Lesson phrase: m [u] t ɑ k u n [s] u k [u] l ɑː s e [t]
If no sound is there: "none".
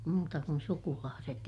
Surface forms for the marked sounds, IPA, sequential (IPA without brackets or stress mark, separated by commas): uː, s, u, t